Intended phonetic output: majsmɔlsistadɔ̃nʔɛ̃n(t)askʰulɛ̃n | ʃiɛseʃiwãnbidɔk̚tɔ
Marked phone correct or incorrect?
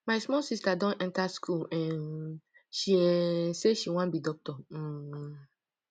correct